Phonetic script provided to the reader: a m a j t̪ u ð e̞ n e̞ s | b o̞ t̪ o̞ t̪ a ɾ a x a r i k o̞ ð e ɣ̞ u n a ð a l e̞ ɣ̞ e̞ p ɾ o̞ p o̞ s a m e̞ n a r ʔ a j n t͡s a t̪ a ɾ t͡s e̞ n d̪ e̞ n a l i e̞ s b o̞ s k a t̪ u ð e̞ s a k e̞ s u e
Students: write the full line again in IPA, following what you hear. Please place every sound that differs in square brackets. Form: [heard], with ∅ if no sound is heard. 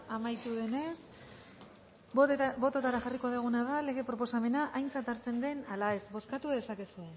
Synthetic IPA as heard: a m a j t̪ u ð e̞ n e̞ s | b o̞ t̪ o̞ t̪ a ɾ a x a r i k o̞ ð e ɣ̞ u n a ð a l e̞ ɣ̞ e̞ p ɾ o̞ p o̞ s a m e̞ n a [∅] ʔ a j n t͡s a t̪ a ɾ t͡s e̞ n d̪ e̞ n a l [a] e̞ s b o̞ s k a t̪ u ð e̞ s a k e̞ s u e